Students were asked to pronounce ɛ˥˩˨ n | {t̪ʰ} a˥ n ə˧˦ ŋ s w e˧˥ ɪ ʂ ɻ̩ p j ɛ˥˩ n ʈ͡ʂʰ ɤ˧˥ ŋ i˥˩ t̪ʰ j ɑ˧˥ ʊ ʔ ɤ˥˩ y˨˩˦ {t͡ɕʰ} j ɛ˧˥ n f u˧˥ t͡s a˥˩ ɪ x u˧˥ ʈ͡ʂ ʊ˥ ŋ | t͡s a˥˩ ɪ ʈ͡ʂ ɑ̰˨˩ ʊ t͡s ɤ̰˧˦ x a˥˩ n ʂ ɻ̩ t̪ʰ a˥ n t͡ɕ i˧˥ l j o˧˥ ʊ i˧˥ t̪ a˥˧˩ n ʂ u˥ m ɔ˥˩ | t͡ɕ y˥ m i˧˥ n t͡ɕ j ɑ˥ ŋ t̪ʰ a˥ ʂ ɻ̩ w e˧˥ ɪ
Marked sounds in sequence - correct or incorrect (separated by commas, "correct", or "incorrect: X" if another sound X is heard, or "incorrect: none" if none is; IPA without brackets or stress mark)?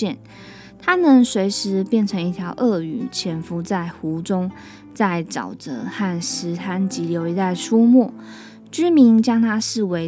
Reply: correct, correct